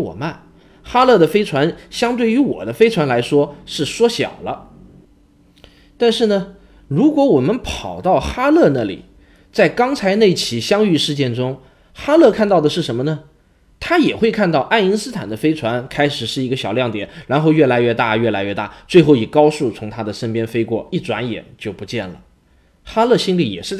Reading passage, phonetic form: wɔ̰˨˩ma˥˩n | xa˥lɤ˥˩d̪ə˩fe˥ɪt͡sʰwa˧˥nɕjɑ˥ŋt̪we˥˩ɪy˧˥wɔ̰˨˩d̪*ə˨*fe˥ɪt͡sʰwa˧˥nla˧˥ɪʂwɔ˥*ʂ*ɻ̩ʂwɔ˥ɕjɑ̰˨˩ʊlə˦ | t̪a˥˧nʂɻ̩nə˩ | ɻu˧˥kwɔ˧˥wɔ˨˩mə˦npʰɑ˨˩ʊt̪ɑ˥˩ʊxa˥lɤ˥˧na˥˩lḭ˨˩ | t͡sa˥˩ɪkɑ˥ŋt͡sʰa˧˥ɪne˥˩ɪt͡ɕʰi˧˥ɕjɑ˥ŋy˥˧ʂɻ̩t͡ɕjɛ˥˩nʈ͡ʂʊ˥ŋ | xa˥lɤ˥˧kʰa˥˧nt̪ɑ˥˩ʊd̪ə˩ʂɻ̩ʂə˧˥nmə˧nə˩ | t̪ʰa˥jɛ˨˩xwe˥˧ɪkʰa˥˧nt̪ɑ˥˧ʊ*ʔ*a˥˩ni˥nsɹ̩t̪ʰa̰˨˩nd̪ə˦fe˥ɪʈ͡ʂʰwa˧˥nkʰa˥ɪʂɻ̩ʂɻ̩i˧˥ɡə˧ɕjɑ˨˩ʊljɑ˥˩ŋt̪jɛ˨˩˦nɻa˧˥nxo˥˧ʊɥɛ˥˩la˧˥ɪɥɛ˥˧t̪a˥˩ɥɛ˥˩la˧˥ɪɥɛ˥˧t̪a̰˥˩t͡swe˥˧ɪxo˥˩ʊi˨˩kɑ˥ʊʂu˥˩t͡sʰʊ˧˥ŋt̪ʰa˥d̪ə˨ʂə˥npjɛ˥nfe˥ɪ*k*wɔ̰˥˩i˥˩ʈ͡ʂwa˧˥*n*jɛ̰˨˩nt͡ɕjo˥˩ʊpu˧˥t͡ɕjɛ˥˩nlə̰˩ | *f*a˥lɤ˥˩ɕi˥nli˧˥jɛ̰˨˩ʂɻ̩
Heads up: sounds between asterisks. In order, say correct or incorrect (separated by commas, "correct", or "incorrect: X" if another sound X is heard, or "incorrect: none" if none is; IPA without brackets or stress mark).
incorrect: ə˦, correct, correct, correct, correct, incorrect: x